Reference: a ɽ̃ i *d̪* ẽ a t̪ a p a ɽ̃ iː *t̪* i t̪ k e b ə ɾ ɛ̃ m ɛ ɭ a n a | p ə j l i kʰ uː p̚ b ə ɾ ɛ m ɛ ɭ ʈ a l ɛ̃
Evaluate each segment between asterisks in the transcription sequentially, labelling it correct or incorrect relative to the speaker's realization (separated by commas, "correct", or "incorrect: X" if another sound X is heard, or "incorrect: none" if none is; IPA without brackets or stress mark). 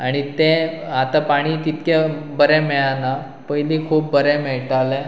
incorrect: t̪, correct